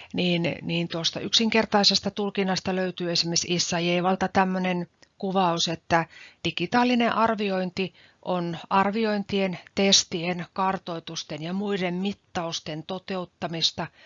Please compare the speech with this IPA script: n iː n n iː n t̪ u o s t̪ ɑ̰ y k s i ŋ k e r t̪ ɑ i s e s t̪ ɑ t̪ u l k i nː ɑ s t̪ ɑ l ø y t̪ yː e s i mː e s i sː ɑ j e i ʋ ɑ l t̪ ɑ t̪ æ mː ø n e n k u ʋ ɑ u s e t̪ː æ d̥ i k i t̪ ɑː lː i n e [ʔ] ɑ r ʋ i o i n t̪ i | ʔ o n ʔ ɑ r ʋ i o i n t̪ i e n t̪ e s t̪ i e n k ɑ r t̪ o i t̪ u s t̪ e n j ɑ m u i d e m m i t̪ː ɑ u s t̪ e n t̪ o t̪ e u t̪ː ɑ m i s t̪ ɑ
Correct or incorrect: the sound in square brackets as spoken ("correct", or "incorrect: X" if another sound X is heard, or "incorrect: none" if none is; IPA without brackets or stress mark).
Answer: correct